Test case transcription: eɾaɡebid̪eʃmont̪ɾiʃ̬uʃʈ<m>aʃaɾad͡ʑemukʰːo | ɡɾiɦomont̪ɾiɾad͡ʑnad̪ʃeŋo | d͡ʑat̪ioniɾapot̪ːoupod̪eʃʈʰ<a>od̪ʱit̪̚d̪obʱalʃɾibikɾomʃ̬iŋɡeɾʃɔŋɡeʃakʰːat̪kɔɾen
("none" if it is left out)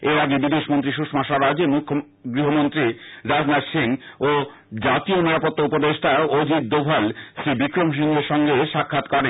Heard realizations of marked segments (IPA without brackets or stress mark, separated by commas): m, a